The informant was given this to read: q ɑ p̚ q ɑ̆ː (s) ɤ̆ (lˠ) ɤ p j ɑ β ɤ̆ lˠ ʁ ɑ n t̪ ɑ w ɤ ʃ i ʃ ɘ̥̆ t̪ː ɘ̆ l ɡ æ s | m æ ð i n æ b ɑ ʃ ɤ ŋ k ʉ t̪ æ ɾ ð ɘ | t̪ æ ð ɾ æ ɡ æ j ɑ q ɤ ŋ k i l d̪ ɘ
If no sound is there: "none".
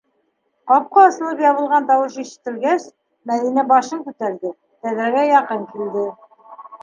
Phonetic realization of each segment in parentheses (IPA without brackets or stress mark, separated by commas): s, lˠ